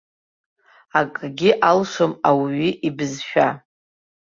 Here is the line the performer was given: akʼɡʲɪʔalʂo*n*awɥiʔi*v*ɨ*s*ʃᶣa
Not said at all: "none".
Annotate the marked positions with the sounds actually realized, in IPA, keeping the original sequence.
m, b, z

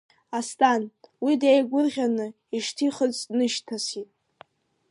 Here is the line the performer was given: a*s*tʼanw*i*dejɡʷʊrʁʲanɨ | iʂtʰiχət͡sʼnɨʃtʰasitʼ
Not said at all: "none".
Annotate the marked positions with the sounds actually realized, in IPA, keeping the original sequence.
s, i

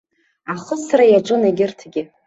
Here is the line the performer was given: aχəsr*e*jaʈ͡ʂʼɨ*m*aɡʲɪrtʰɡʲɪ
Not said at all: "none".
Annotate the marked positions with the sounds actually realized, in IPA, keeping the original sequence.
a, n

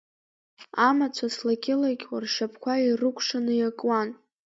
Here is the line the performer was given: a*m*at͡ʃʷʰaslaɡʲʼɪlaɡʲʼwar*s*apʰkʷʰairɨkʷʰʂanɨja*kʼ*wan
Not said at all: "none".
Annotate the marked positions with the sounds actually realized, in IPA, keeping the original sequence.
m, ʂ, kʼ

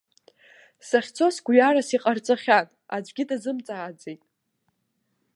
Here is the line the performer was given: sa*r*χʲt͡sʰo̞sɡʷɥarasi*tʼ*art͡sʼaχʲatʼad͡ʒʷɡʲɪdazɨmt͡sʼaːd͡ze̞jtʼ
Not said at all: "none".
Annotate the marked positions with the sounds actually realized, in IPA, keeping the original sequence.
none, qʼ

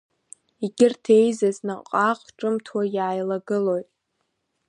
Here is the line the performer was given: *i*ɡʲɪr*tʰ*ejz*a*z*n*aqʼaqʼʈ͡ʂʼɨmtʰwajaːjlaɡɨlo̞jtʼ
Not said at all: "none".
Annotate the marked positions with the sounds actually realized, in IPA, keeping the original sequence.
i, tʰ, a, n

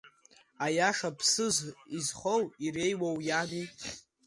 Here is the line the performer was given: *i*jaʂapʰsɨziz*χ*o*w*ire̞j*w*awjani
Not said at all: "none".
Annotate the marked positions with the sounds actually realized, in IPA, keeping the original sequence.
a, χ, w, w

